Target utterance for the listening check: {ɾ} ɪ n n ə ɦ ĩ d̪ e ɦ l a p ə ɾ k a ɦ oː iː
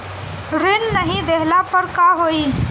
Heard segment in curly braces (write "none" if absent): ɾ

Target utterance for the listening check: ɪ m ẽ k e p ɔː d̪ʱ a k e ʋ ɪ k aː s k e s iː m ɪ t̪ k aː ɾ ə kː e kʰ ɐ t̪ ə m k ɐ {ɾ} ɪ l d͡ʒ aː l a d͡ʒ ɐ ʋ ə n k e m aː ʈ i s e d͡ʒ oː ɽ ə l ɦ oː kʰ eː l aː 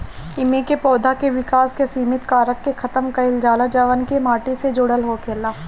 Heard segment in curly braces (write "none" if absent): none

